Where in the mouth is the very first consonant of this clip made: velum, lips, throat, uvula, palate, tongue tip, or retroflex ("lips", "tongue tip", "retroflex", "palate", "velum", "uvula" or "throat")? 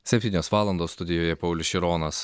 tongue tip